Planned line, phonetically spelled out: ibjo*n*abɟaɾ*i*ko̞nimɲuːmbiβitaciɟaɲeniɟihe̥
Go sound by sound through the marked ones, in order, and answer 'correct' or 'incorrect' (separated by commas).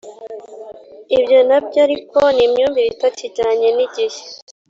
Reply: correct, correct